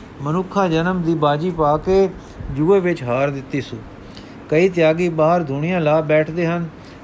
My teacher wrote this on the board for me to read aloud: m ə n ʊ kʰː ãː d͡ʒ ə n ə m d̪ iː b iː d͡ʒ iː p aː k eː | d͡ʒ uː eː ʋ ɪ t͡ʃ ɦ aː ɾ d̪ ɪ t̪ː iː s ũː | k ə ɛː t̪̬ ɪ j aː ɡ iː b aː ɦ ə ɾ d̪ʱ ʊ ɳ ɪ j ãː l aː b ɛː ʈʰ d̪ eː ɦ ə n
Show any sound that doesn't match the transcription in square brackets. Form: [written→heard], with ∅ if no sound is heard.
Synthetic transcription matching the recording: m ə n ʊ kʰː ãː d͡ʒ ə n ə m d̪ iː b [iː→aː] d͡ʒ iː p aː k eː | d͡ʒ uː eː ʋ ɪ t͡ʃ ɦ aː ɾ d̪ ɪ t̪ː iː s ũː | k ə [ɛː→iː] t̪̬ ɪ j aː ɡ iː b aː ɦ ə ɾ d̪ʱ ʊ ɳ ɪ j ãː l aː b ɛː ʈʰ d̪ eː ɦ ə n